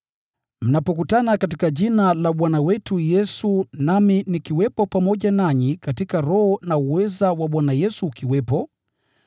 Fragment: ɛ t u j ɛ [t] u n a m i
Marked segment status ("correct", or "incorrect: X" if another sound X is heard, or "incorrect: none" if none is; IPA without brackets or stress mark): incorrect: s